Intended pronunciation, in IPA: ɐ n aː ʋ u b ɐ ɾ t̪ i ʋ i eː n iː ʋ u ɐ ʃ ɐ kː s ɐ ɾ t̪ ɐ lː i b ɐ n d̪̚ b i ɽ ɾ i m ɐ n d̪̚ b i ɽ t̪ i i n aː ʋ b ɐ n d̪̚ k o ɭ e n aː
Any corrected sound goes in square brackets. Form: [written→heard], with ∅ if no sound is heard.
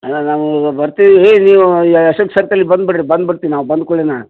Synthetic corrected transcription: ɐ n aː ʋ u b ɐ ɾ t̪ i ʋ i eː n iː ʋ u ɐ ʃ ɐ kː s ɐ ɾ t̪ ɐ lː i b ɐ n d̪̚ b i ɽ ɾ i [m→b] ɐ n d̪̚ b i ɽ t̪ i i n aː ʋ b ɐ n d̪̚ k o ɭ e n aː